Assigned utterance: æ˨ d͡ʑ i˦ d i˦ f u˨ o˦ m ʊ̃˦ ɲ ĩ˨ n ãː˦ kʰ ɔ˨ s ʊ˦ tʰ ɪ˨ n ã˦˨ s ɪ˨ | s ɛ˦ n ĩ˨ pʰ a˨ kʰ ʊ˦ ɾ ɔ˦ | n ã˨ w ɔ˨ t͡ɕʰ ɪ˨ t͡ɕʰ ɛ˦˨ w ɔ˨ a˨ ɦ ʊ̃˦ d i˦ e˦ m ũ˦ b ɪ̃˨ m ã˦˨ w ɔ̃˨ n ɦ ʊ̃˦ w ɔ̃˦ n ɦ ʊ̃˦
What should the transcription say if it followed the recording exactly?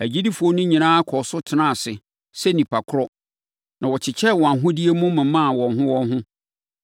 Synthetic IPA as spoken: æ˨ d͡ʑ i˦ d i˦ f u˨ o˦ n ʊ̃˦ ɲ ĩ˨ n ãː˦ kʰ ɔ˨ s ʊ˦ tʰ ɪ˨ n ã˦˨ s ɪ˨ | s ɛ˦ n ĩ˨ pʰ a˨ kʰ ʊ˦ ɾ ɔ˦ | n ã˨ w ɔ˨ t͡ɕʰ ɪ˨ t͡ɕʰ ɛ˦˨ w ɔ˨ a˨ ɦ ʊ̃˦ d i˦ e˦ m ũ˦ m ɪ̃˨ m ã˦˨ w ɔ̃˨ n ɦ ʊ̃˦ w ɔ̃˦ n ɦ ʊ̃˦